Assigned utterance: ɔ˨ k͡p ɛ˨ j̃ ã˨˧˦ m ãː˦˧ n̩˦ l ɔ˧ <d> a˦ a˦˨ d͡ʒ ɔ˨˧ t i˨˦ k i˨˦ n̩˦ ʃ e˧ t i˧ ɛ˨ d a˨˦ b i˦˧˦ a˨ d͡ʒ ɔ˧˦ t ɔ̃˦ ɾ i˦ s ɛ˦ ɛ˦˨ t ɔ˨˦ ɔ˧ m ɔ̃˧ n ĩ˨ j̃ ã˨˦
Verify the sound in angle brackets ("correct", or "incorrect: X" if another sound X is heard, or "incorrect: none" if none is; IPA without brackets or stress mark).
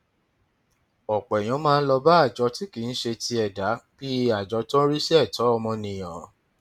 incorrect: b